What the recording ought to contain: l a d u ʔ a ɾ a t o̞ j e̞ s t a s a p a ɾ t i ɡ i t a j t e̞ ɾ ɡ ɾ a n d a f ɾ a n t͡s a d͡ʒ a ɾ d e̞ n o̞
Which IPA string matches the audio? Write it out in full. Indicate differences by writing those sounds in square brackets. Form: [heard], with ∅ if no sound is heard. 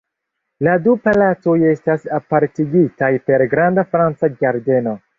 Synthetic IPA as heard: l a d u [p] a [l] a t o̞ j e̞ s t a s a p a ɾ t i ɡ i t a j [p] e̞ ɾ ɡ ɾ a n d a f ɾ a n t͡s a d͡ʒ a ɾ d e̞ n o̞